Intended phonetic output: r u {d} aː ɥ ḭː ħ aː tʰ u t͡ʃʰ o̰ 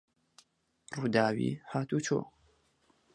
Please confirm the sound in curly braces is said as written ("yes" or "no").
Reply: yes